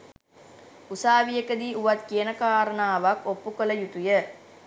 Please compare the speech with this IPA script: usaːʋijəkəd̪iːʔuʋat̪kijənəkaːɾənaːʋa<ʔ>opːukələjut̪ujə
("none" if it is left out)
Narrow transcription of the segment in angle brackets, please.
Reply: k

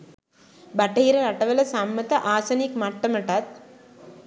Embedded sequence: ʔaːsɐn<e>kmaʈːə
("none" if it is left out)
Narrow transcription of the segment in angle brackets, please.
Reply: i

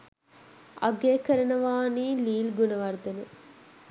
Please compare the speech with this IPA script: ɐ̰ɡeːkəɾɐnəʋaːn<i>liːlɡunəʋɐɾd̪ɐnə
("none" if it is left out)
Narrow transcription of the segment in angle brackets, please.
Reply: iː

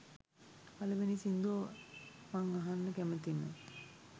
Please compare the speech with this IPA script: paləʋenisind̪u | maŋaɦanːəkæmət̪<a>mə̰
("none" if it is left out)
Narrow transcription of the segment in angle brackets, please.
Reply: i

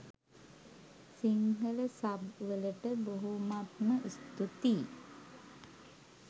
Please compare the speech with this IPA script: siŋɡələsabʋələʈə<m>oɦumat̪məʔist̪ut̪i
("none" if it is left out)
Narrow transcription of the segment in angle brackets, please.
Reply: b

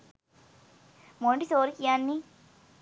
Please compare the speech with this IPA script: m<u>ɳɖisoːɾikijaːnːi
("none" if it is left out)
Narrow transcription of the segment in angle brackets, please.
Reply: o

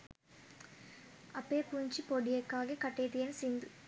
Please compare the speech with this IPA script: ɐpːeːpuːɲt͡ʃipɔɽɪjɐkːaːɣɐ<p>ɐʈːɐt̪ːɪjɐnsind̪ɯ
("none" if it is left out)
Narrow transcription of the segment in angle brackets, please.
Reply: k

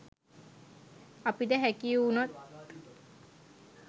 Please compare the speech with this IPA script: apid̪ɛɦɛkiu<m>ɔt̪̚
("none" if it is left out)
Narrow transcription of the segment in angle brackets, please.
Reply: n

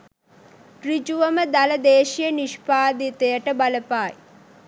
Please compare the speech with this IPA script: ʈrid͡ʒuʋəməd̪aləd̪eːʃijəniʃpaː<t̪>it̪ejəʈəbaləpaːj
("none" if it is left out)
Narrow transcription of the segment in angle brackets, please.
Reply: d̪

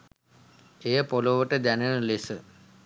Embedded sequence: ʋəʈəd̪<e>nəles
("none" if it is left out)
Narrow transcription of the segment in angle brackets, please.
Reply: æ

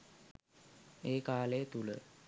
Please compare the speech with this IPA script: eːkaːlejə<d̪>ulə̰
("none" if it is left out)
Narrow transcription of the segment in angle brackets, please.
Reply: t̪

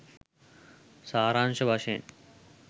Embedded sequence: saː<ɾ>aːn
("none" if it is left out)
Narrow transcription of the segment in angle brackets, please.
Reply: ɾ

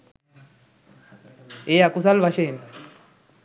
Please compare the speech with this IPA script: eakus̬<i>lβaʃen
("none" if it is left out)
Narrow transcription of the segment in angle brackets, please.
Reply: a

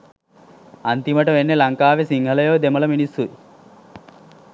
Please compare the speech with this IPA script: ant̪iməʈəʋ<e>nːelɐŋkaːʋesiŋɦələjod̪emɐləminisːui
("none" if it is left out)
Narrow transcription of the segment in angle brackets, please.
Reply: e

